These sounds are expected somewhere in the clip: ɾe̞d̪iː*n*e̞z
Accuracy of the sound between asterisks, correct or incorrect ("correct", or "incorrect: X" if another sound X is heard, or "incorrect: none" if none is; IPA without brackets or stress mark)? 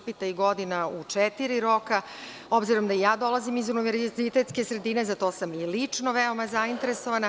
correct